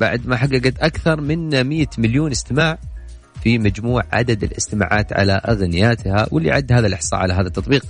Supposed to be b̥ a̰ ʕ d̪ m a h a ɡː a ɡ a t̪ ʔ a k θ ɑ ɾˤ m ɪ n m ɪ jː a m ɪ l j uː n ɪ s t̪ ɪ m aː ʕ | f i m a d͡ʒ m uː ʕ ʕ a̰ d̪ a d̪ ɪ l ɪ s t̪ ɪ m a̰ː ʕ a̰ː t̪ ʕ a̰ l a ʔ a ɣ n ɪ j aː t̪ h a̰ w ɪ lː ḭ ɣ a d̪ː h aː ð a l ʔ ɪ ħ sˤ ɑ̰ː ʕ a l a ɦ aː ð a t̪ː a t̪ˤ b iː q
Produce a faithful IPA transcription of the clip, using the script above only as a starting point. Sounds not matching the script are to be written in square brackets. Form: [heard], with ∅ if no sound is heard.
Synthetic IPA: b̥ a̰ ʕ d̪ m a [ħ] a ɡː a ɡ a t̪ ʔ a k θ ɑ ɾˤ m ɪ n m ɪ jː a m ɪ l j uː n ɪ s t̪ ɪ m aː ʕ | f i m a d͡ʒ m uː ʕ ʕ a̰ d̪ a d̪ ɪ l ɪ s t̪ ɪ m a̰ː ʕ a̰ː t̪ ʕ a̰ l a ʔ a ɣ n ɪ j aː t̪ h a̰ w ɪ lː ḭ [ʕ] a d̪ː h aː ð a l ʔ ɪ ħ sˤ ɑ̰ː ʕ a l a ɦ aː ð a t̪ː [ɑ] t̪ˤ b iː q